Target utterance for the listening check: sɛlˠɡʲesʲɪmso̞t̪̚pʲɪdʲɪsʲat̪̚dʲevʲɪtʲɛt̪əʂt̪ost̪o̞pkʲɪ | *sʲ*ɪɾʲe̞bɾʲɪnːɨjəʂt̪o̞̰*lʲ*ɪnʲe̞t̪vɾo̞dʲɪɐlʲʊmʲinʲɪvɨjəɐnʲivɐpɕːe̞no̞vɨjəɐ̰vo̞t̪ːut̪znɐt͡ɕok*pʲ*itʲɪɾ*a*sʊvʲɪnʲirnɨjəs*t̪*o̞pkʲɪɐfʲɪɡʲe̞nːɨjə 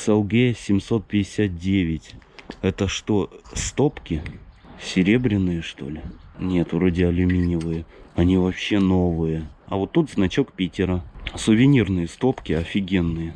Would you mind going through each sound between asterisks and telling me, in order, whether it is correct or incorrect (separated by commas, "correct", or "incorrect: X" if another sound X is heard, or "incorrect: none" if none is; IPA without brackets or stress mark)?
correct, correct, correct, incorrect: ə, correct